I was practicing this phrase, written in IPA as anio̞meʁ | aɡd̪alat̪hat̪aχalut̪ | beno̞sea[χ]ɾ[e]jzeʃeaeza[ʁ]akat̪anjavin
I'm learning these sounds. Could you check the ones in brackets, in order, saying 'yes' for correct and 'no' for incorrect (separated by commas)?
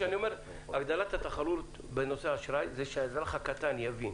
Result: no, no, no